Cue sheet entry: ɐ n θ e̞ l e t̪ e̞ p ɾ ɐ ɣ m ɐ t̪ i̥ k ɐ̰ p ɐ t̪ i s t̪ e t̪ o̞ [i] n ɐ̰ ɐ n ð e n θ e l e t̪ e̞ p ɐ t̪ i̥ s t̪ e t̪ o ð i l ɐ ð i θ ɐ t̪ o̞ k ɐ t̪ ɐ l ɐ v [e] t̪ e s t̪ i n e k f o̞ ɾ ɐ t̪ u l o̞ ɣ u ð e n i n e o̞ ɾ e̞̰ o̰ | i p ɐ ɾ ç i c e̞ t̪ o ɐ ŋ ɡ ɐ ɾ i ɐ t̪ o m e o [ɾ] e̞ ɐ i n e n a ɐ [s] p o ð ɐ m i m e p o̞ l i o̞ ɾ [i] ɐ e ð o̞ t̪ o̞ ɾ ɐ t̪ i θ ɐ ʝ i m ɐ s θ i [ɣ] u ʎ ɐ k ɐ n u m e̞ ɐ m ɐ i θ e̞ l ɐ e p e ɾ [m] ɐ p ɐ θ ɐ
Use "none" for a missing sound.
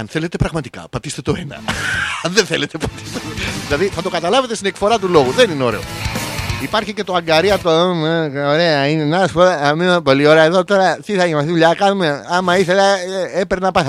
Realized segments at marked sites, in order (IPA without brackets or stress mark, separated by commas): e, e, ɾ, s, e, ð, n